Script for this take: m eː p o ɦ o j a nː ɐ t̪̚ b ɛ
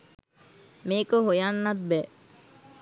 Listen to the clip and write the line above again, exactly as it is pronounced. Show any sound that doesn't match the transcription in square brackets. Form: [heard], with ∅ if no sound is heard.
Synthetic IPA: m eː [k] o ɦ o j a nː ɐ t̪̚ b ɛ